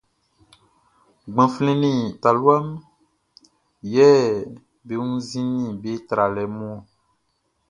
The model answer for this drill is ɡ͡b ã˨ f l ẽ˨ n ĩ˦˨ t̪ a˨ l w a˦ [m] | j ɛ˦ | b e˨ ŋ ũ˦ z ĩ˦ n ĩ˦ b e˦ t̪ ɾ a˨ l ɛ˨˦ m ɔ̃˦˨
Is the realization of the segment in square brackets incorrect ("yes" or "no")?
no